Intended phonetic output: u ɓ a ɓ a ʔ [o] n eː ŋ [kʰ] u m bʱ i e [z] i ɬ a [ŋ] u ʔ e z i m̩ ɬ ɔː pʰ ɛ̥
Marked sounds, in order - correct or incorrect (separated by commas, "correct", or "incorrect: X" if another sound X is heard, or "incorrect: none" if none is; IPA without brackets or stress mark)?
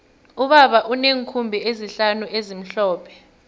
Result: incorrect: u, correct, correct, incorrect: n